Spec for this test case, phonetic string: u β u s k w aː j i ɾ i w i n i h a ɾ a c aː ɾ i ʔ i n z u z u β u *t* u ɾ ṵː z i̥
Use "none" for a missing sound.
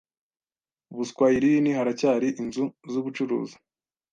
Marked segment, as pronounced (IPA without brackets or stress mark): t͡ʃ